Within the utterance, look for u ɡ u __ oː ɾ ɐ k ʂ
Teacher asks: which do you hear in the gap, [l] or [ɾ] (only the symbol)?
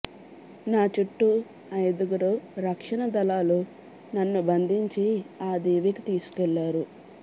ɾ